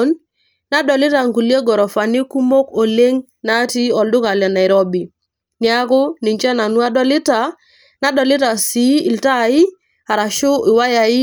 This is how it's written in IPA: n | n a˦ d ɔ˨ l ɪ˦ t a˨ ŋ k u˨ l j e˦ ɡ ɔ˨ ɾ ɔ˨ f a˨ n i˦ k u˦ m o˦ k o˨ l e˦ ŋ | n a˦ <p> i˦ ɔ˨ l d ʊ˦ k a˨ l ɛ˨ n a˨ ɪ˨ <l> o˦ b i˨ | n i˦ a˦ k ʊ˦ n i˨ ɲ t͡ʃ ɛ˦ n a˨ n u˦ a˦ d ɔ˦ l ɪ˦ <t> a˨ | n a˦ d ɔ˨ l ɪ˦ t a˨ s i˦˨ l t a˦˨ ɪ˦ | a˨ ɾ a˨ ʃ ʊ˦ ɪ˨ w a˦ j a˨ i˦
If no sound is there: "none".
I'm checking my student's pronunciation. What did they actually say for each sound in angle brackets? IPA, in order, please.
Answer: t, ɾ, t

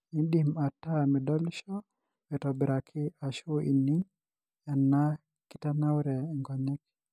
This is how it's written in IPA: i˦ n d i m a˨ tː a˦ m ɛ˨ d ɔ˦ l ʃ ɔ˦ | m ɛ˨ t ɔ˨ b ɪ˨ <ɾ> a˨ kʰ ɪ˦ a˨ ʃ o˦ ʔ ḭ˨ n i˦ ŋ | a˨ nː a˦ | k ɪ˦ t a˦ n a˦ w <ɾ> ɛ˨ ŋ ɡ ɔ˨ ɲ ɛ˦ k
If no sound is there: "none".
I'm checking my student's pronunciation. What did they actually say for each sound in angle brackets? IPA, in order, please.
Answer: ɾ, ɾ

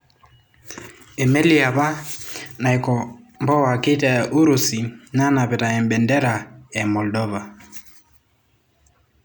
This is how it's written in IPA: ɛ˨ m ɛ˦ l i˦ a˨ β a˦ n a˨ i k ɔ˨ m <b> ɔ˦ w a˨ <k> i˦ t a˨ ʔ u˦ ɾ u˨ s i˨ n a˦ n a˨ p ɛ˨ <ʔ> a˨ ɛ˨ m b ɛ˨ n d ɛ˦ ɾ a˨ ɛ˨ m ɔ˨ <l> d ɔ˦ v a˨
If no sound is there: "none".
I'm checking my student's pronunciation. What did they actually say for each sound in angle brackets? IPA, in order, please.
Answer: b, k, t, l

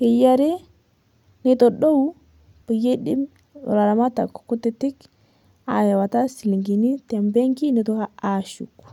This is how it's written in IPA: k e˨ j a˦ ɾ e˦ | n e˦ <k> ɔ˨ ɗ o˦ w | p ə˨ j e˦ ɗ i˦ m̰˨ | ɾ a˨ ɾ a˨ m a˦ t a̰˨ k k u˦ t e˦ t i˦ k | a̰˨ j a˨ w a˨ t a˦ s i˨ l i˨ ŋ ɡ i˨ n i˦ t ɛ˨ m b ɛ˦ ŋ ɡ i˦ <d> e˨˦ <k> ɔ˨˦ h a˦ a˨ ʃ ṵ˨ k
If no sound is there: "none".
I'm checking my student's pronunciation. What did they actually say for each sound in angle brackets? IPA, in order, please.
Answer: t, n, t

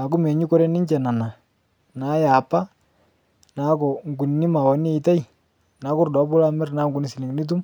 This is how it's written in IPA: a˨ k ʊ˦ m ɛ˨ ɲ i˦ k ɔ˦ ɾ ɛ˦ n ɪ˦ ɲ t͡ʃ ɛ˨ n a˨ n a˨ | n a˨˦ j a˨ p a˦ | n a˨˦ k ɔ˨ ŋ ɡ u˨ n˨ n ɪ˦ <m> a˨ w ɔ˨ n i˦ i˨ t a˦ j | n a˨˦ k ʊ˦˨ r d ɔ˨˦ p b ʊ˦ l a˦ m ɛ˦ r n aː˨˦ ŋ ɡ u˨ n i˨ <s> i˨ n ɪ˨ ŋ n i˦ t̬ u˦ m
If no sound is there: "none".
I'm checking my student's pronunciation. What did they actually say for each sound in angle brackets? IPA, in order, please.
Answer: m, s

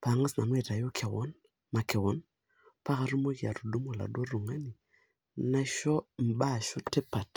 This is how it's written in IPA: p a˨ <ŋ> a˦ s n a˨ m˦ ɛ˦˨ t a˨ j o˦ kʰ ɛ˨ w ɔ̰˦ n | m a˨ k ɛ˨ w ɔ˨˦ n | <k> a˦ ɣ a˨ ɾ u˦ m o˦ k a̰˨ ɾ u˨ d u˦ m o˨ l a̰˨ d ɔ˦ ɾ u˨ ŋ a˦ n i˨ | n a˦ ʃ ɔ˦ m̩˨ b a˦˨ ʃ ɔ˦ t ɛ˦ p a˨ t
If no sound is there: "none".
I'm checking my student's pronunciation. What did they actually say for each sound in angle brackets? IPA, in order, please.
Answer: ŋ, p

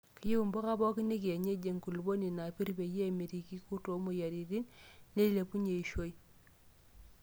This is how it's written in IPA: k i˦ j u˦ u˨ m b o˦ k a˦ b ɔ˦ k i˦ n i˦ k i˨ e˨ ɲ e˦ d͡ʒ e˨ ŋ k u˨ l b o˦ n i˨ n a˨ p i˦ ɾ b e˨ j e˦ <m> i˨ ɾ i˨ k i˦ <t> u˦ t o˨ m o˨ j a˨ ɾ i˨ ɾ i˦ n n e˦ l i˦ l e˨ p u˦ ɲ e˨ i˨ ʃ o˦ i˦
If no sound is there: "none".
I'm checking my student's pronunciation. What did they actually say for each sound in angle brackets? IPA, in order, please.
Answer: m, k

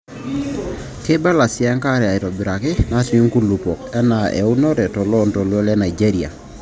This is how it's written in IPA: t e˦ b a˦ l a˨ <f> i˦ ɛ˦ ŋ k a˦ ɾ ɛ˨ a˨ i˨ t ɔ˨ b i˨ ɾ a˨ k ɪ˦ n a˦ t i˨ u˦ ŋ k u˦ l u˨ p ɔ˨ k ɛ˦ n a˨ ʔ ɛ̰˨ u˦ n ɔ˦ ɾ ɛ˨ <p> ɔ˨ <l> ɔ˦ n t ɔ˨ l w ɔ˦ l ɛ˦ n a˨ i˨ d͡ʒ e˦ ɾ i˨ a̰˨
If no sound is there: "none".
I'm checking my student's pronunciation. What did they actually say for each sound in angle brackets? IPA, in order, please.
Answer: s, t, l

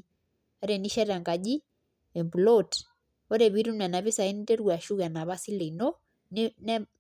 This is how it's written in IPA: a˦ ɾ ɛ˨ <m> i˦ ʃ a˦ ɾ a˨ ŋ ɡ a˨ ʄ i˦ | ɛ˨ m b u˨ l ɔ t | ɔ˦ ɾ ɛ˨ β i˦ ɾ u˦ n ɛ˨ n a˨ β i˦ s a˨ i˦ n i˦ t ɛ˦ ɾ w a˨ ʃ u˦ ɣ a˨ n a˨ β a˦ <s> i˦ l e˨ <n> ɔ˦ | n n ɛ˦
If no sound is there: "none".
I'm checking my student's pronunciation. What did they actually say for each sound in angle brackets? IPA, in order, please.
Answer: n, s, n

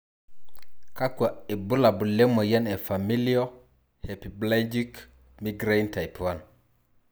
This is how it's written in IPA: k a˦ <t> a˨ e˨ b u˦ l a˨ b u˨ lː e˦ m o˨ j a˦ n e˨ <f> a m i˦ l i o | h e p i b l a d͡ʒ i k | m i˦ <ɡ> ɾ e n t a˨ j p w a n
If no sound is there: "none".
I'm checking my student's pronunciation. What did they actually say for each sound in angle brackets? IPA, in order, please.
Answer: k, f, ɡ

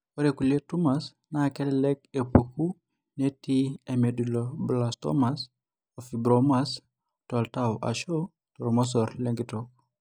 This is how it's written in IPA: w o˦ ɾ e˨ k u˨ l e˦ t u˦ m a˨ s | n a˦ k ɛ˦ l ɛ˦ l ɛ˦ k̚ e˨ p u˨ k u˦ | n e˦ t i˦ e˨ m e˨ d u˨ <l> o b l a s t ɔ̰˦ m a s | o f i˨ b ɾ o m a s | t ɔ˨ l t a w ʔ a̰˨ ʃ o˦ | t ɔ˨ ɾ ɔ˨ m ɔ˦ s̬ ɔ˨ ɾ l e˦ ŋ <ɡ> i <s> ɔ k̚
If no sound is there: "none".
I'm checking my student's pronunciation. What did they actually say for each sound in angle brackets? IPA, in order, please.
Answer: l, ɡ, t

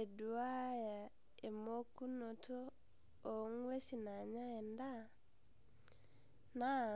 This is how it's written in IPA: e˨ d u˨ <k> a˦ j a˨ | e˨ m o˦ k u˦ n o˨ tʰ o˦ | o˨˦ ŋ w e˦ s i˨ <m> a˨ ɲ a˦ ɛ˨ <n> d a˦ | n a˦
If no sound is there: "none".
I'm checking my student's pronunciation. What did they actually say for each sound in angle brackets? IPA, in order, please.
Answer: none, n, n

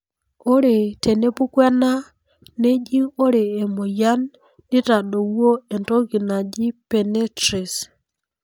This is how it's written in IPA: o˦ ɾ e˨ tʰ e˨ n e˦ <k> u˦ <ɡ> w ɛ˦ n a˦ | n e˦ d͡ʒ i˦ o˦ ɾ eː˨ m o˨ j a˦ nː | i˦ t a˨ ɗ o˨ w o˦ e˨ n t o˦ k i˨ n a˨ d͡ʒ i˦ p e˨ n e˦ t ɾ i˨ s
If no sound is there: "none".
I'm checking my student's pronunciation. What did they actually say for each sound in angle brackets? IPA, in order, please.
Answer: p, k

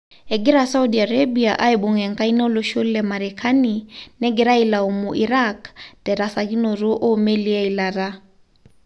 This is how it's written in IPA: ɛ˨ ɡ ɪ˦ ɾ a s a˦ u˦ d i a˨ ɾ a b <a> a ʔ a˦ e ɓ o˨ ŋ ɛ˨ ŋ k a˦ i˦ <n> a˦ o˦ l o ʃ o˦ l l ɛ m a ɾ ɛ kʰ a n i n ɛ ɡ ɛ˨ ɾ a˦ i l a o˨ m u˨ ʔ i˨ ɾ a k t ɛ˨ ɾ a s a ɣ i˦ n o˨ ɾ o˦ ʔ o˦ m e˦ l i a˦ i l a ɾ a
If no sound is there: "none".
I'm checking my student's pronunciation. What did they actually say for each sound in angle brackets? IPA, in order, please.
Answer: i, n

